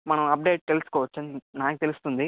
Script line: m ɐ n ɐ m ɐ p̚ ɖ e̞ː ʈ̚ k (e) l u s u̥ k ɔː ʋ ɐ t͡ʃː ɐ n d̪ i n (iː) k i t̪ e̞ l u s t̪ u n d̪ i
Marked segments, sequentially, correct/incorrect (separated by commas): correct, incorrect